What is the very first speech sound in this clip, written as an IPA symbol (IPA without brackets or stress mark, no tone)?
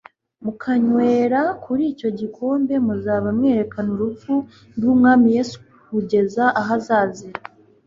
m